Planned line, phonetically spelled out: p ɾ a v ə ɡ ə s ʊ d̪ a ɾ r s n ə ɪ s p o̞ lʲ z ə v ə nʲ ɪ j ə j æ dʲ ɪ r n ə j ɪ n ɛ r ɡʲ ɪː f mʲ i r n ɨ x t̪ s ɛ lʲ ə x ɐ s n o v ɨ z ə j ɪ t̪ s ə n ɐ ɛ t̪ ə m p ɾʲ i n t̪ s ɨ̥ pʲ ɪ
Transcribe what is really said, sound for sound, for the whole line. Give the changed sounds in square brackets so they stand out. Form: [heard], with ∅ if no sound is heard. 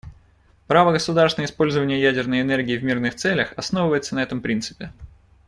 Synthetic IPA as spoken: p ɾ a v ə ɡ ə s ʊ d̪ a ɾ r s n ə ɪ s p o̞ lʲ z ə v ə nʲ ɪ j ə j æ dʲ ɪ r n ə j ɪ n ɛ r ɡʲ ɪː [v] mʲ i r n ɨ x t̪ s ɛ lʲ ə x ɐ s n o v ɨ [v] ə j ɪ t̪ s ə n ɐ ɛ t̪ ə m p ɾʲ i n t̪ s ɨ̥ pʲ ɪ